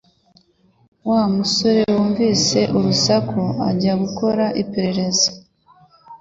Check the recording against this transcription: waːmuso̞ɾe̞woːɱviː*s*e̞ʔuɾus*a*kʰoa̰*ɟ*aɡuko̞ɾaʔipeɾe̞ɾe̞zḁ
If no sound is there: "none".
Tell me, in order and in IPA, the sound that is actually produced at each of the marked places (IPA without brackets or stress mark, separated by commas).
s, a, ɟ